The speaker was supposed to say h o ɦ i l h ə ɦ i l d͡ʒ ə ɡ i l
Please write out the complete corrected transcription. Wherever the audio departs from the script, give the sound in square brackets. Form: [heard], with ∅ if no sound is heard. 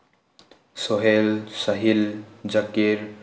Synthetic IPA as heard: [s] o ɦ [e] l [s] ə ɦ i l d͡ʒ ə [k] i [ɾ]